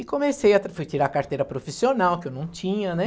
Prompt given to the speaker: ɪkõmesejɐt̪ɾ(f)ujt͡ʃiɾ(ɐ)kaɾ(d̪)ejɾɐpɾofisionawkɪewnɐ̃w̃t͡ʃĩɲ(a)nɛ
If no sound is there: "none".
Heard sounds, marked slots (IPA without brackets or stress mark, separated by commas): f, a, t̪, ɐ